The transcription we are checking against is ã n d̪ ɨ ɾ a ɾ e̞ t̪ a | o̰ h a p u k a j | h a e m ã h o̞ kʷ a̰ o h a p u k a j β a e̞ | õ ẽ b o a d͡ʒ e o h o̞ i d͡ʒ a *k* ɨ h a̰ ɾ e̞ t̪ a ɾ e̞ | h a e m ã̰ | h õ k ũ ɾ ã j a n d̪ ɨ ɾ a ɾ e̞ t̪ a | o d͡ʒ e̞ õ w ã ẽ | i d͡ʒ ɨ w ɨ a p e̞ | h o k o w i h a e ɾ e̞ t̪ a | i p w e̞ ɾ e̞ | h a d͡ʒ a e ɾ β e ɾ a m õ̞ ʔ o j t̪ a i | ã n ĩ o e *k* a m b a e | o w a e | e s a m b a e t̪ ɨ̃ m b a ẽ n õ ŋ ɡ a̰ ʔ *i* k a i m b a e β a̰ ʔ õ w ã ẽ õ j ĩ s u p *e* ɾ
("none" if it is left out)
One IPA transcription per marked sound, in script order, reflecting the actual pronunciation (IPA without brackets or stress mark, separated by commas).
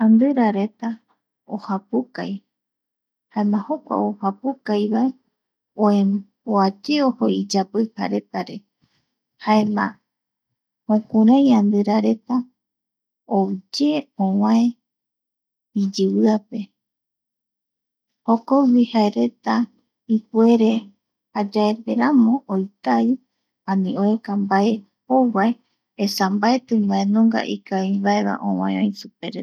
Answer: p, k, i, e